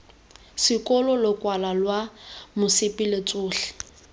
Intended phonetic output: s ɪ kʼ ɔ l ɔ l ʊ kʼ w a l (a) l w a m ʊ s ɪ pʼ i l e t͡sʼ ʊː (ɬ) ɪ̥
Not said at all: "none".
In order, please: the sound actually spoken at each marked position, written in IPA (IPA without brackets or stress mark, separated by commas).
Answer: a, ɬ